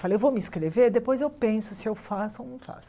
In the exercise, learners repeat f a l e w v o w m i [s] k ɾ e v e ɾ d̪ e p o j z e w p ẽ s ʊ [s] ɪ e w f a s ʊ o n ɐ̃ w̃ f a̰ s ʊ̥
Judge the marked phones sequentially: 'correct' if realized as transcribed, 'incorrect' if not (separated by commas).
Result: correct, correct